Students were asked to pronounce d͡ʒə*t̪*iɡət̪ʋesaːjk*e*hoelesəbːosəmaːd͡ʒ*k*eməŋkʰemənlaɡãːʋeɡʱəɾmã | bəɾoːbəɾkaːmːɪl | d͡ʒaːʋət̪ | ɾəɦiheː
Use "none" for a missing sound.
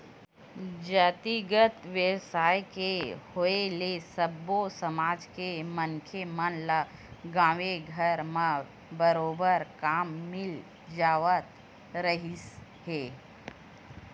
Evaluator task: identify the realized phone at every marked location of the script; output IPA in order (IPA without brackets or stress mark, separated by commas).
t̪, e, k